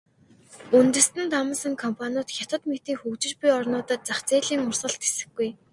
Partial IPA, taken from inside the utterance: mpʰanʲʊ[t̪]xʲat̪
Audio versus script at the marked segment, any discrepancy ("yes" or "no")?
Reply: no